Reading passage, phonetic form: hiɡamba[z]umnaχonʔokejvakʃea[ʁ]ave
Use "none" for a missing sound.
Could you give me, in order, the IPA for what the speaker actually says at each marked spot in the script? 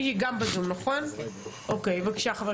z, χ

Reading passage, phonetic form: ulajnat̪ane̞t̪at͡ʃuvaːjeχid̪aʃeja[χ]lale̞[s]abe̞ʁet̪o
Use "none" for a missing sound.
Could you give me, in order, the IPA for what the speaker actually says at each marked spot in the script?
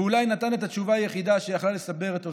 χ, s

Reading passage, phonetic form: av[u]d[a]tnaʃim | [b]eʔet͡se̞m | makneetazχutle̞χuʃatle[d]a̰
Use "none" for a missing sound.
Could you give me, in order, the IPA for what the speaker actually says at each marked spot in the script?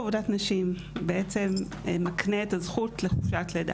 o, a, b, d

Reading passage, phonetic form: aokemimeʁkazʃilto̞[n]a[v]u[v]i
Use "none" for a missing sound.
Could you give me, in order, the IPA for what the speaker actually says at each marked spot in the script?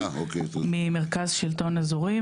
n, z, ʁ

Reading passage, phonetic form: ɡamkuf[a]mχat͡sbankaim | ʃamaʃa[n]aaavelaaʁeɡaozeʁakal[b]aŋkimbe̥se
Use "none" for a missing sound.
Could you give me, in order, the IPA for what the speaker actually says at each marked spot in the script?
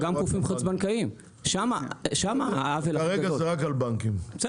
i, m, b

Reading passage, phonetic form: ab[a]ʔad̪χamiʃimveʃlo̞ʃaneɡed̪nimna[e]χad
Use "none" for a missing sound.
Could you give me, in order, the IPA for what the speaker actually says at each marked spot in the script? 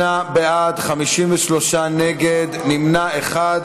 e, e

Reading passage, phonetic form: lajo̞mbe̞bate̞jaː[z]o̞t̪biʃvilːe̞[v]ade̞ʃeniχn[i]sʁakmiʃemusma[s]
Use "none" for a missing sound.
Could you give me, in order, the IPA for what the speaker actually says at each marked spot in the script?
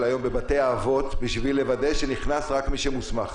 v, v, a, χ

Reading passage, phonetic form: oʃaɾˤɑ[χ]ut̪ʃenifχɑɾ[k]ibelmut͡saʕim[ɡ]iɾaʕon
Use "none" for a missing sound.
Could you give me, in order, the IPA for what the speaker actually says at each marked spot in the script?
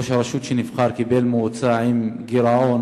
ʃ, k, ɡ

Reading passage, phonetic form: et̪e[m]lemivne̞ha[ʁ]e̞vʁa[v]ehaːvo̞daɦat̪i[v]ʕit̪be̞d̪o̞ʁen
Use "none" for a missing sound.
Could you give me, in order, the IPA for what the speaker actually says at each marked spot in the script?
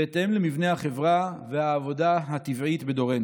m, χ, v, v

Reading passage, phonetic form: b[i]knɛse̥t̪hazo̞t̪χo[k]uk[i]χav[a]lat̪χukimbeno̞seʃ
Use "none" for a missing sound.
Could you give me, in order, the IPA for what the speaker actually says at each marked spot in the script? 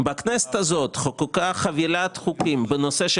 a, k, a, i

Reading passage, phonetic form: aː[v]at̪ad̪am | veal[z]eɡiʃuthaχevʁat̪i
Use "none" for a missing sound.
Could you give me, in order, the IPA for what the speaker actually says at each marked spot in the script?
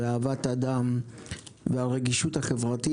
v, ʁ

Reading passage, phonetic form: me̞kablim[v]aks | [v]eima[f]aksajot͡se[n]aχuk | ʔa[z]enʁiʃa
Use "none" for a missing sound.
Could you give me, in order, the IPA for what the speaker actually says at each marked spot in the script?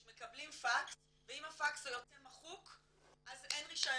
f, v, f, m, z

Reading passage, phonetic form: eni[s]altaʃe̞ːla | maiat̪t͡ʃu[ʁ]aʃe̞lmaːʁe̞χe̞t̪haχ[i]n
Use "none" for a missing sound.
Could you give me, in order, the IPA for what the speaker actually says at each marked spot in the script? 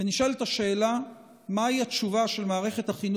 ʃ, v, i

